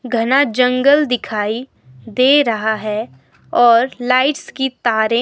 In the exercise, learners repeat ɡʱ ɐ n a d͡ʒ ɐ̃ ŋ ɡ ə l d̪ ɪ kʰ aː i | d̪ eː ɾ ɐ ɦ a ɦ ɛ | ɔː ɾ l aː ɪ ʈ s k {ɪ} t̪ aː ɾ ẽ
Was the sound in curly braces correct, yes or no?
no